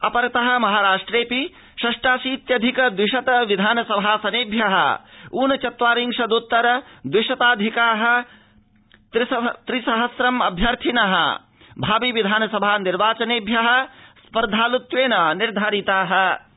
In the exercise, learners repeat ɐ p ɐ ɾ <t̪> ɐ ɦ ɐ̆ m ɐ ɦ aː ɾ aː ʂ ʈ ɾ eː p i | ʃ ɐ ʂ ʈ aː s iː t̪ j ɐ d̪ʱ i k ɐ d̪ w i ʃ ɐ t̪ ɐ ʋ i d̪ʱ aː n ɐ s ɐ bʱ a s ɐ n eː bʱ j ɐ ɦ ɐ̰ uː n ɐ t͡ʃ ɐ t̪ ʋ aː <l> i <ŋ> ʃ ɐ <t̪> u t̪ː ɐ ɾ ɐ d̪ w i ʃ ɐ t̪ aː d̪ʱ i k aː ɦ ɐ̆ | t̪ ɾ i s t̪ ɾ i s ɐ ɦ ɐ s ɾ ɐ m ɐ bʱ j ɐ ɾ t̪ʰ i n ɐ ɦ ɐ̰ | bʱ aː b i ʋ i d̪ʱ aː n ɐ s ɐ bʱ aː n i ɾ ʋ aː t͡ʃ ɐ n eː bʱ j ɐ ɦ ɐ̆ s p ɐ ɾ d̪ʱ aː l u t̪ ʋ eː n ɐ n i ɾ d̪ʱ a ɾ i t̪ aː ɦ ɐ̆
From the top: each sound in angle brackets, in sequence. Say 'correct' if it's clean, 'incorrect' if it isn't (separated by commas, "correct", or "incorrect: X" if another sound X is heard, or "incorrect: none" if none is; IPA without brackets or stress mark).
correct, incorrect: ɾ, correct, incorrect: d̪